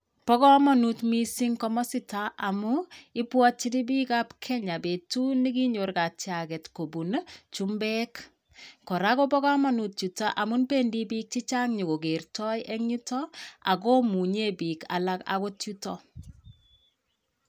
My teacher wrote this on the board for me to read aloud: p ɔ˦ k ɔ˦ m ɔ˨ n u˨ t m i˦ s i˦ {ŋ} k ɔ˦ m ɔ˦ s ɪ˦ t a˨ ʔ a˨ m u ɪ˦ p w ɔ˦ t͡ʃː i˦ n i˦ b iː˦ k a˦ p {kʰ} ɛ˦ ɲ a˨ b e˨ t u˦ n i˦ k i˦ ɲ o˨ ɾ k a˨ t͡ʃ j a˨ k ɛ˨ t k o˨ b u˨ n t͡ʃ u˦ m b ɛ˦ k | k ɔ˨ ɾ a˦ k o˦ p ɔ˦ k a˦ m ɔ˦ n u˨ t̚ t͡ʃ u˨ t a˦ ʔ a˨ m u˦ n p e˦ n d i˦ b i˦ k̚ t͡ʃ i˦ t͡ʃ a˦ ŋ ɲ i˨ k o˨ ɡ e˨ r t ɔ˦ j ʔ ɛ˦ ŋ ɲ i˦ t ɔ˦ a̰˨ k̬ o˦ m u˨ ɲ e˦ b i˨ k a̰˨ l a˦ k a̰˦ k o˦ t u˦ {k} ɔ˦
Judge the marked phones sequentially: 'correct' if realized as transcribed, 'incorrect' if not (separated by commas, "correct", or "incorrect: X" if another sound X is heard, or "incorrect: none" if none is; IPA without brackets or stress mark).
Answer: correct, correct, incorrect: t